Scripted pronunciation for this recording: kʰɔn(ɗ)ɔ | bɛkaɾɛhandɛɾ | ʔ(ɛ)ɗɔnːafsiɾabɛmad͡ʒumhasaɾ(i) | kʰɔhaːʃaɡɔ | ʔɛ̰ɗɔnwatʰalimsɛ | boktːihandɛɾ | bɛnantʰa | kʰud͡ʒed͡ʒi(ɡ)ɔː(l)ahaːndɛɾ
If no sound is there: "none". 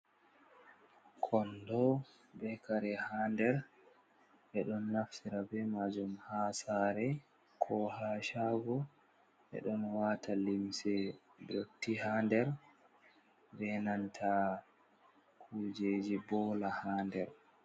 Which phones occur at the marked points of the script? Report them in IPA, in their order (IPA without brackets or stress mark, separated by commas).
d, ɛ, ɛ, b, l